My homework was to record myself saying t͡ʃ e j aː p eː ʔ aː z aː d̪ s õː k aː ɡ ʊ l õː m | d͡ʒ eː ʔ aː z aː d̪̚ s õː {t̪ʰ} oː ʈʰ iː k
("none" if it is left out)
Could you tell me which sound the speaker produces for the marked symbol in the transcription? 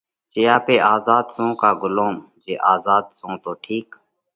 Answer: t̪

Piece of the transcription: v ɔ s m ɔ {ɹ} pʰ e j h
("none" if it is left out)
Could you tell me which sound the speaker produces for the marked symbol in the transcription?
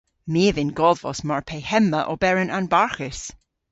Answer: ɹ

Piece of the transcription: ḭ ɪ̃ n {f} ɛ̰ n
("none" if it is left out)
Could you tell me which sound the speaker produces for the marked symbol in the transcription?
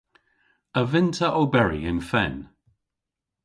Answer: f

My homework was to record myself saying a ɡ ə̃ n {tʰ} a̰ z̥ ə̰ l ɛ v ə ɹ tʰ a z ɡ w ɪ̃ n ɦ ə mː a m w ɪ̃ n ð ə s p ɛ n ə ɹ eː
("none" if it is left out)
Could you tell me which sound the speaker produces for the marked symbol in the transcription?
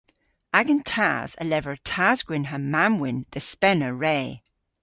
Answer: tʰ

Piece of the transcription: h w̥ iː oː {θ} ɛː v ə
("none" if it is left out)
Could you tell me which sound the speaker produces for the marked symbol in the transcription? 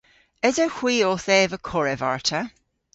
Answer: θ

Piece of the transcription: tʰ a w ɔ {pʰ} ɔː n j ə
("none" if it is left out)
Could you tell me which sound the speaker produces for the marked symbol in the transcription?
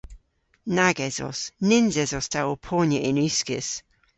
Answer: pʰ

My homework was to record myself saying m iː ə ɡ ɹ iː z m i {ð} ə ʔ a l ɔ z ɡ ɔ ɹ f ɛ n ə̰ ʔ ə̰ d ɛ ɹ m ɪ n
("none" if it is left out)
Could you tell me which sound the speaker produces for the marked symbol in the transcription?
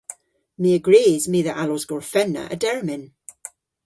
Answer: ð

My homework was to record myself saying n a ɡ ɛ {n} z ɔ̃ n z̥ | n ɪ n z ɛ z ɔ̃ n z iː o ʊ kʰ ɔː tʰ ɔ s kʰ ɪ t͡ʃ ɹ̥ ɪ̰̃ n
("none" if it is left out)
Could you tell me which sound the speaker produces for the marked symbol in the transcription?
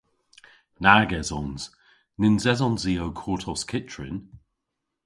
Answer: none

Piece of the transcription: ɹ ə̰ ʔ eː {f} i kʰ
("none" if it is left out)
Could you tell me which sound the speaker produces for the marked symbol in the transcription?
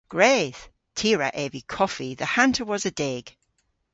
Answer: v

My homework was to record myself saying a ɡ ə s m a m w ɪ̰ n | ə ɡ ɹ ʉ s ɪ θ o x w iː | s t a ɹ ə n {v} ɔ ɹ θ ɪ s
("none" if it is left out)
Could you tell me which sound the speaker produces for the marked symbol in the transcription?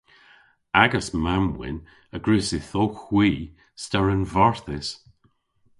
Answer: v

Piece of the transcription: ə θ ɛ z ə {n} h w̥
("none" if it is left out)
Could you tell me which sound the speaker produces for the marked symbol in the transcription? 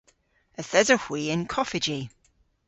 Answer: none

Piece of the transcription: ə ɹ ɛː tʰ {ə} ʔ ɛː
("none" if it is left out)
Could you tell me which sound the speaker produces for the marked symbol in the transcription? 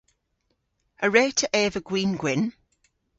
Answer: ə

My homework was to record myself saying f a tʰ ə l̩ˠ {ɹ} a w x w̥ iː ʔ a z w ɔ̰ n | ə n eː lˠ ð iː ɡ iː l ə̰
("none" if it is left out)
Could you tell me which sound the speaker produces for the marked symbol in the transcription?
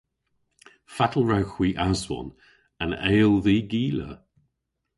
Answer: ɹ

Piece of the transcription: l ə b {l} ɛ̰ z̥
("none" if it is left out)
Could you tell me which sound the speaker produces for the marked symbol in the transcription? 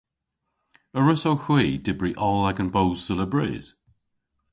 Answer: ɹ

